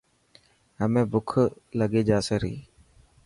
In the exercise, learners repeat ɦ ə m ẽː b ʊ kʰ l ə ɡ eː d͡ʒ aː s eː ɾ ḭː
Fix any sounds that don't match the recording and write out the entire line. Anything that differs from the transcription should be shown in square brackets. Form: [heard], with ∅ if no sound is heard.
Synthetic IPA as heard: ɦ ə m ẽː b ʊ kʰ l ə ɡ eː d͡ʒ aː s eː ɾ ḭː

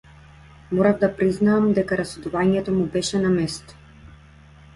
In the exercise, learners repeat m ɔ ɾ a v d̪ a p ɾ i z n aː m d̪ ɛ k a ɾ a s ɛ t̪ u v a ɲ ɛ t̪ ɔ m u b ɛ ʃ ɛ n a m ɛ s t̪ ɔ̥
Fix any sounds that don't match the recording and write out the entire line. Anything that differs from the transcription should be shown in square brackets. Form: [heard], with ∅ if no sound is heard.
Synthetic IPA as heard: m ɔ ɾ a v d̪ a p ɾ i z n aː m d̪ ɛ k a ɾ a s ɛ [d̪] u v a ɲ ɛ t̪ ɔ m u b ɛ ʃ ɛ n a m ɛ s t̪ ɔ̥

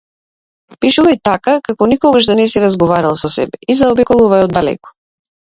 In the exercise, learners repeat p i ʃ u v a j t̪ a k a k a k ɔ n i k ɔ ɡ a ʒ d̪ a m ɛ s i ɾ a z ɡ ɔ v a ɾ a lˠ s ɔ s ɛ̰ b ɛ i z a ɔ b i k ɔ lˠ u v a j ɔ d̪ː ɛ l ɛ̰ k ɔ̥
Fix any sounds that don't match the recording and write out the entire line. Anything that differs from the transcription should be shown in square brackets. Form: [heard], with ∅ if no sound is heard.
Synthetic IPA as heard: p i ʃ u v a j t̪ a k a k a k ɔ n i k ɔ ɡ a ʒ d̪ a [n] ɛ s i ɾ a z ɡ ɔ v a ɾ a lˠ s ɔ s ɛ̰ b ɛ i z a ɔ b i k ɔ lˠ u v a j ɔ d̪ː [a] l ɛ̰ k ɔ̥

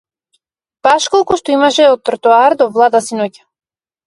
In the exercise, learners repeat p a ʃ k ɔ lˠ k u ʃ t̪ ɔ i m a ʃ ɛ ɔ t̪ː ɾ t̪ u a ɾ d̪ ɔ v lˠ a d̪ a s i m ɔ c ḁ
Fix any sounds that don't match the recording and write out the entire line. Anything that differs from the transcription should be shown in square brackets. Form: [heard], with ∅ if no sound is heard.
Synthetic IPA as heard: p a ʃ k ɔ lˠ k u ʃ t̪ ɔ i m a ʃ ɛ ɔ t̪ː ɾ t̪ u a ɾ d̪ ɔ v lˠ a d̪ a s i [n] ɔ c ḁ

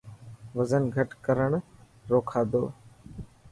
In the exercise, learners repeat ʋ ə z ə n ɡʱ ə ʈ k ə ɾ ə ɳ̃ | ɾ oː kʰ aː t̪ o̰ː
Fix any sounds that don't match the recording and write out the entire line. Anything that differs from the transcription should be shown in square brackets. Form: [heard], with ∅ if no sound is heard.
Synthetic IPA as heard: ʋ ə z ə n ɡʱ ə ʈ k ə ɾ ə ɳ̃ | ɾ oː kʰ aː [d̪] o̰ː

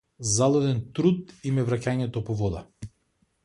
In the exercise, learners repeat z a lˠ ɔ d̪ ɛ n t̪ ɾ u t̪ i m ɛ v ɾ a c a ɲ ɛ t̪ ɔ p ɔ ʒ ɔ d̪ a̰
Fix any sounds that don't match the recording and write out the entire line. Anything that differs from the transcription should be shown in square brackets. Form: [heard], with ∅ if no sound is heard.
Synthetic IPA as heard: z a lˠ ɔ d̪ ɛ n t̪ ɾ u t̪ i m ɛ v ɾ a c a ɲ ɛ t̪ ɔ p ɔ [v] ɔ d̪ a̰

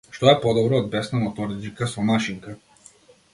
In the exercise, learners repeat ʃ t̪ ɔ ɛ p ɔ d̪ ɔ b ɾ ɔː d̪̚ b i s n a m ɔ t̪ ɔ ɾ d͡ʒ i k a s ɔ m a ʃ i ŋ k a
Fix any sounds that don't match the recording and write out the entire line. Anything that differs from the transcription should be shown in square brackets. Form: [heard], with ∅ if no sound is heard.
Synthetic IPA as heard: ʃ t̪ ɔ ɛ p ɔ d̪ ɔ b ɾ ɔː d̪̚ b [ɛ] s n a m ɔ t̪ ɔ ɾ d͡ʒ i k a s ɔ m a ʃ i ŋ k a

